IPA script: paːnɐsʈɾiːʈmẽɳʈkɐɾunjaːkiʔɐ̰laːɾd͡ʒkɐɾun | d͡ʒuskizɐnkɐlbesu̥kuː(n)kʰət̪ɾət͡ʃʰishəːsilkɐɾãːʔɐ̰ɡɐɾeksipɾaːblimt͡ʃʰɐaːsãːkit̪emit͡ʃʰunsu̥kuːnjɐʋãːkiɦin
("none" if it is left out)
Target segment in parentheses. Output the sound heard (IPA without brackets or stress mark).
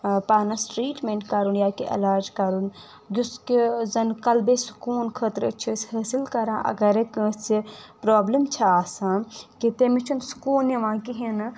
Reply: n